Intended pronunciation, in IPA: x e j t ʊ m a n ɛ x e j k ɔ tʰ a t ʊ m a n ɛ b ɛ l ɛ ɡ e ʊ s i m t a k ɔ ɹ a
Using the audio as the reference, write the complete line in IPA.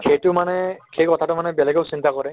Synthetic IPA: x e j t ʊ m a n ɛ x e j k ɔ tʰ a t ʊ m a n ɛ b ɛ l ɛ ɡ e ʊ s i n t a k ɔ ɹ ɛ